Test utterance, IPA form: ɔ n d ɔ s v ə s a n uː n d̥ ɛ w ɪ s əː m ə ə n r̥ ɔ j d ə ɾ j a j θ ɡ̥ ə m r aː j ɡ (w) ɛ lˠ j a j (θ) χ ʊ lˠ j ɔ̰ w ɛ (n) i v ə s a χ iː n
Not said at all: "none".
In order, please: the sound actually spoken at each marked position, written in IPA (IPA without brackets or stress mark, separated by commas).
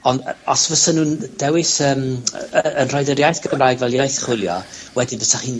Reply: v, θ, d